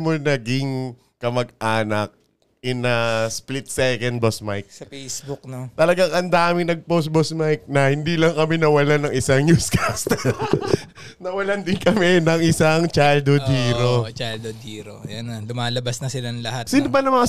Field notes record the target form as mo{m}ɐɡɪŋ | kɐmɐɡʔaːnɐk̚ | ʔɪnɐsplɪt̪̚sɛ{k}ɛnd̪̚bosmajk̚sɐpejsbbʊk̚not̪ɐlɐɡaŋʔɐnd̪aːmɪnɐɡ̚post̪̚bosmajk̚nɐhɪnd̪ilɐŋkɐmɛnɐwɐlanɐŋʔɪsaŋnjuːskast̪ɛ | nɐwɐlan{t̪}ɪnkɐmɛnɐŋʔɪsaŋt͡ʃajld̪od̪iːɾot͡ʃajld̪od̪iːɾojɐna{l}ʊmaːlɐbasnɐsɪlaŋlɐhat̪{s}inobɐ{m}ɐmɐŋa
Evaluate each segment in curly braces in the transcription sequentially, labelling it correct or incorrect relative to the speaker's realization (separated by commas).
incorrect, correct, incorrect, correct, correct, incorrect